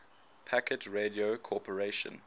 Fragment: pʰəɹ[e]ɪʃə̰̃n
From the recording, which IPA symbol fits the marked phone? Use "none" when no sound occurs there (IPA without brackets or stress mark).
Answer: e